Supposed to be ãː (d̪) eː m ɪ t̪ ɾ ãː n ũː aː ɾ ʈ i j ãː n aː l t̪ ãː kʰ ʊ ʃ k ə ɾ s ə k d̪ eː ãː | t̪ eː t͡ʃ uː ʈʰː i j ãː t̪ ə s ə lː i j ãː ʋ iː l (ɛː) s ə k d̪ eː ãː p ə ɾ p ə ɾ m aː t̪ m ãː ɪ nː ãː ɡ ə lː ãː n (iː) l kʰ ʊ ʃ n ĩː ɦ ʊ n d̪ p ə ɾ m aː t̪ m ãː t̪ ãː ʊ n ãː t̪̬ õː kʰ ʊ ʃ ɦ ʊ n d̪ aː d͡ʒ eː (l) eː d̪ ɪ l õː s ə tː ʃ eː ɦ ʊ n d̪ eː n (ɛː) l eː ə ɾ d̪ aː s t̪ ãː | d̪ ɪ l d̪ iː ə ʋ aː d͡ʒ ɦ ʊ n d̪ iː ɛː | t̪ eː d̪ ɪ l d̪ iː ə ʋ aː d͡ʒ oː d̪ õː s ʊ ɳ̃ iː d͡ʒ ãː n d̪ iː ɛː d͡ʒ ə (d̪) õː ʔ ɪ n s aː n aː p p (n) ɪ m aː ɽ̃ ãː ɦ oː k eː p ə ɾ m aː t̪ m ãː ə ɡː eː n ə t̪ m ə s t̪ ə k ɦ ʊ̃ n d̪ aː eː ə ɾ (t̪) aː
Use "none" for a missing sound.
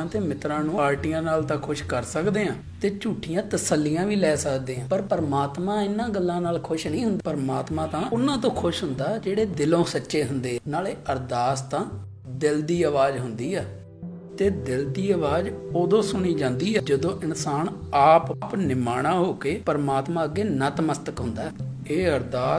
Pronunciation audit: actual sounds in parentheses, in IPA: t̪, ɛː, aː, ɽ, aː, d̪, n, d̪

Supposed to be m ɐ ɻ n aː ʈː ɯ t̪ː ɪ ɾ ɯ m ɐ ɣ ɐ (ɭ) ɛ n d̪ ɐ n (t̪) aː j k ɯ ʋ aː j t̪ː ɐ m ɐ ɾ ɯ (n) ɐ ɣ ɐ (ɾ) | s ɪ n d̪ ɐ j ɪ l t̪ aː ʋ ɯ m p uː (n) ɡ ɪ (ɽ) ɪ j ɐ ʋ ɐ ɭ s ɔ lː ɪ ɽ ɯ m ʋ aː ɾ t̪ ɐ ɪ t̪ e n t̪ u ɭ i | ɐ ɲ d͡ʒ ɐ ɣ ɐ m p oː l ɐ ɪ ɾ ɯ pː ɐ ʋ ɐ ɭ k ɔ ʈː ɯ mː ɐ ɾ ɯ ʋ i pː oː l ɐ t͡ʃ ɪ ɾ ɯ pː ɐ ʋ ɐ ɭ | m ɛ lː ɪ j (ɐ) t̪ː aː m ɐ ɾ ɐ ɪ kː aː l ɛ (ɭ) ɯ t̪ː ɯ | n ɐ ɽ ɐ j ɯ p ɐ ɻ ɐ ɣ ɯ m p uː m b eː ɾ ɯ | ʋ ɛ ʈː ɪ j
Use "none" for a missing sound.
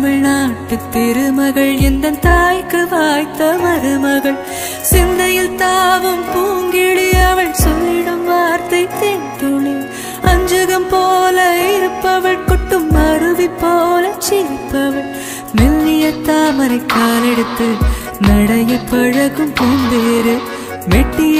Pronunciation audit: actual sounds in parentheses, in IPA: ɭ, t̪, m, ɭ, ŋ, ɽ, ɐ, ɽ

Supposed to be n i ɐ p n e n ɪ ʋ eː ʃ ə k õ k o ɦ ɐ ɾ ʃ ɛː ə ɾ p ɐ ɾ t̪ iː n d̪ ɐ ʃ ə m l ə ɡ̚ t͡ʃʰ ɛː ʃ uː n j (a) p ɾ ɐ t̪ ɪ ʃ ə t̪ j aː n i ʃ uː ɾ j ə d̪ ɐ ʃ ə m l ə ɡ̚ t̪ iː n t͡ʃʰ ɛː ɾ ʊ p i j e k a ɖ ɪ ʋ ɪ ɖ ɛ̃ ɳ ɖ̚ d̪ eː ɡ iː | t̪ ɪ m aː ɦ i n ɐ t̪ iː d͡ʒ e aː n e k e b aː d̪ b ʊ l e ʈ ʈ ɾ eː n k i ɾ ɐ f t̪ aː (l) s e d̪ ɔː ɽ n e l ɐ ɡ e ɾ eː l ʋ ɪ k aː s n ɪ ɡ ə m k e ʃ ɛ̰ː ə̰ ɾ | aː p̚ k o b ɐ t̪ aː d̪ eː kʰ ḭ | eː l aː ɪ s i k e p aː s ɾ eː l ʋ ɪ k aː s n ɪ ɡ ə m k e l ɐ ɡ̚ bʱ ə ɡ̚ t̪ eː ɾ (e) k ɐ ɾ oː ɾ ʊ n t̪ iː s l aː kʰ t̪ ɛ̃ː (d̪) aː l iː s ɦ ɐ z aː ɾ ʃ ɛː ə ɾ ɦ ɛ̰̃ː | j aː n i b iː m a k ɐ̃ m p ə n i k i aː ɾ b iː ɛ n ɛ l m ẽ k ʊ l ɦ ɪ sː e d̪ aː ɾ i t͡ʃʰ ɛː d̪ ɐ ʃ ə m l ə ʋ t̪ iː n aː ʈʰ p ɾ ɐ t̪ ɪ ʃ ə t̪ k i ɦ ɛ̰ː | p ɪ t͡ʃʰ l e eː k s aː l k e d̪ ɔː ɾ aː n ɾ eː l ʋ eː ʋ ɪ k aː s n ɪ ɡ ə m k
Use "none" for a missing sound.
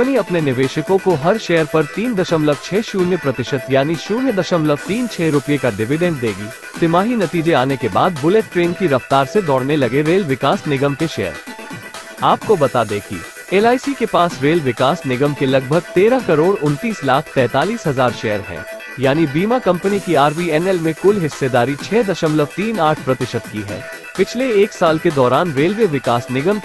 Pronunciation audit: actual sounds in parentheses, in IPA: ə, ɾ, a, t̪

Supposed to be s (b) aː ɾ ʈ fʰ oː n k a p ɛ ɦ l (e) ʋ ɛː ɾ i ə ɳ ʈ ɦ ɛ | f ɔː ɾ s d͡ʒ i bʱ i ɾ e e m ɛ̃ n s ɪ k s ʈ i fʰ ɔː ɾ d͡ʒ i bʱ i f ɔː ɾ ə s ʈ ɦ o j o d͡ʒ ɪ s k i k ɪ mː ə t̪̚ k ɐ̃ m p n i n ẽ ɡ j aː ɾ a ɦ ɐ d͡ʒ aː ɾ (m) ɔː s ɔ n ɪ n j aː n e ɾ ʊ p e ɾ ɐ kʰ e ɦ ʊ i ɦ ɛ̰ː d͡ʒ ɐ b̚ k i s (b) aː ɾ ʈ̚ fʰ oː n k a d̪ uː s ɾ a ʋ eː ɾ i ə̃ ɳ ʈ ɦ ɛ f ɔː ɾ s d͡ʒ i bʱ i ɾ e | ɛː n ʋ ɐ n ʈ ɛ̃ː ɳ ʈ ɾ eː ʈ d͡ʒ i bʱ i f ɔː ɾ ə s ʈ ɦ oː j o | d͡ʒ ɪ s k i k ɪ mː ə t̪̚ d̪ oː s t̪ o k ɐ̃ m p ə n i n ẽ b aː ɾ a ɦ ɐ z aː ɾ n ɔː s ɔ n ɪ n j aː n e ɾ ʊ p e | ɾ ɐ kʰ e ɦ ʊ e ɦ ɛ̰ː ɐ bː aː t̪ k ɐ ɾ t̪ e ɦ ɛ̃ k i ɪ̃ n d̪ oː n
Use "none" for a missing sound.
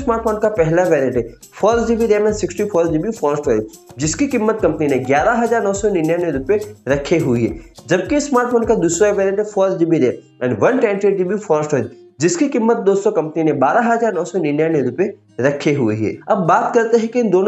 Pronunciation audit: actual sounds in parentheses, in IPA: m, a, n, m

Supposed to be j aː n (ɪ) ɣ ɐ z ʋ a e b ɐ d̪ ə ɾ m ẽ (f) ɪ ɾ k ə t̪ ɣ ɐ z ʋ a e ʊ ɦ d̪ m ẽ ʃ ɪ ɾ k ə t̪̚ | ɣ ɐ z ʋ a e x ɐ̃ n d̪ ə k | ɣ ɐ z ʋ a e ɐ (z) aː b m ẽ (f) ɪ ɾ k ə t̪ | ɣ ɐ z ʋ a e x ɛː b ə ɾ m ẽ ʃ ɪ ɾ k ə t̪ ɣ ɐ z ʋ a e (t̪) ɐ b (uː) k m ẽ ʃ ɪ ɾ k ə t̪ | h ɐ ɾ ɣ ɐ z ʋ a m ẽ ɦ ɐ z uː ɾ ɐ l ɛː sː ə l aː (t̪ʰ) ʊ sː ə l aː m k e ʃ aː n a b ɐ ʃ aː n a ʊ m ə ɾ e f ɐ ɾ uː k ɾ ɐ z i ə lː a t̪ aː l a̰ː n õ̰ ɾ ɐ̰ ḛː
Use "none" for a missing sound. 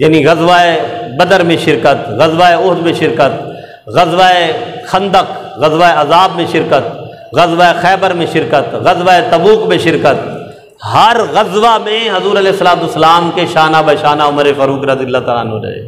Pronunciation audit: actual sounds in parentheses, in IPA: i, ʃ, z, ʃ, t̪, uː, t̪

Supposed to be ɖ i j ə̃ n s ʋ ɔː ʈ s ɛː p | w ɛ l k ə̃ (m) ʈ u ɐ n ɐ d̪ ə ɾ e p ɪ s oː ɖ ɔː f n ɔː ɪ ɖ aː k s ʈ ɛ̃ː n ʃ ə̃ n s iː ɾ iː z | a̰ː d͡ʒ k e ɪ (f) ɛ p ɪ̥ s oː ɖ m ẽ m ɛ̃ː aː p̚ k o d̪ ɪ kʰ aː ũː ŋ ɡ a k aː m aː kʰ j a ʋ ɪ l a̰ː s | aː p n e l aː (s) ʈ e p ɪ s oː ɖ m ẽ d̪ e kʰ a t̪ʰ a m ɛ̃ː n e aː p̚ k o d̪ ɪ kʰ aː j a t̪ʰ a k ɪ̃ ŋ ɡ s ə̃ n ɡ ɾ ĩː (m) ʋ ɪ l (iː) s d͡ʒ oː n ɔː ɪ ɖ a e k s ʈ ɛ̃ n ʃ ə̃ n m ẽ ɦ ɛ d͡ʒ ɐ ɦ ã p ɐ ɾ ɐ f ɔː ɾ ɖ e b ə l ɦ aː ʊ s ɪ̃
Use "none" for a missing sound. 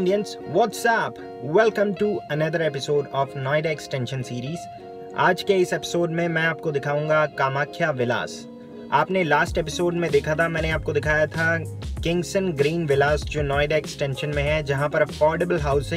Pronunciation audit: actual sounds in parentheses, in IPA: m, s, s, n, aː

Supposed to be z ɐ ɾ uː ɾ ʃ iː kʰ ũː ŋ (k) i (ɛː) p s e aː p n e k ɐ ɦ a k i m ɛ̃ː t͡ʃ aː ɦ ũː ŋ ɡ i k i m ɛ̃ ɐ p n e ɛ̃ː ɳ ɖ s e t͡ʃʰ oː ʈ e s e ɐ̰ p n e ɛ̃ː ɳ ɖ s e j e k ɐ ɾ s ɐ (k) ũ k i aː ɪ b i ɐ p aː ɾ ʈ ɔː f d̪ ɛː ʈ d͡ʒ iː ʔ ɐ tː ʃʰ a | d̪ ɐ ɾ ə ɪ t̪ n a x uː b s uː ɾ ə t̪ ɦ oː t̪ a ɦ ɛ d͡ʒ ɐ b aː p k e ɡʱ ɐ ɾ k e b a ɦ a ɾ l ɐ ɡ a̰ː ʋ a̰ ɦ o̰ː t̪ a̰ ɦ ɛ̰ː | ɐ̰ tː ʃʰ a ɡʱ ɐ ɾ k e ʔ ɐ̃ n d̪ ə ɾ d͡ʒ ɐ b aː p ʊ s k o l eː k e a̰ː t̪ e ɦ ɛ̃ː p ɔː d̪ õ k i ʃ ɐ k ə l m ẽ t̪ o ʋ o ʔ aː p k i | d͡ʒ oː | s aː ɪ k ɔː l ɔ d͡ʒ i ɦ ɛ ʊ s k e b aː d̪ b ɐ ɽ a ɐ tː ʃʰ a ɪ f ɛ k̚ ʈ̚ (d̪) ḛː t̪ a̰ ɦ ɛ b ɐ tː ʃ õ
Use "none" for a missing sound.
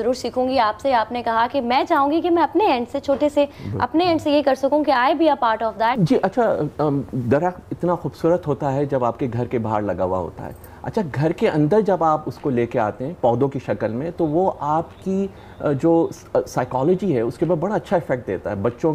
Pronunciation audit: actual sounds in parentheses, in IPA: ɡ, aː, k, d̪

